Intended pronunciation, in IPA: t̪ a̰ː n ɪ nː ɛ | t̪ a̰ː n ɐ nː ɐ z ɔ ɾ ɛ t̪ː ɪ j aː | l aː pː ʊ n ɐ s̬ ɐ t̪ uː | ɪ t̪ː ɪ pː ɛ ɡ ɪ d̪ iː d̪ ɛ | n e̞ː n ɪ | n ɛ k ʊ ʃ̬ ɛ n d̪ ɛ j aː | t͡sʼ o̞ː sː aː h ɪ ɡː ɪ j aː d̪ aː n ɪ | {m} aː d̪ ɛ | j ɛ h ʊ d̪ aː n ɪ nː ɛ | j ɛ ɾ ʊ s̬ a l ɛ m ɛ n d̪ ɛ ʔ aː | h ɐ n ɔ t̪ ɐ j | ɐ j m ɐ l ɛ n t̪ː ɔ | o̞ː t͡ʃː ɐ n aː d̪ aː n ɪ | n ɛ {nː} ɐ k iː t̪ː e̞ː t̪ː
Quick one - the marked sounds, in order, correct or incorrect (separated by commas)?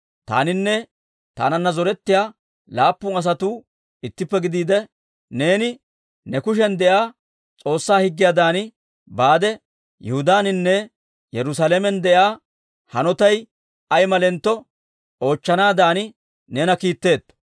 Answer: incorrect, incorrect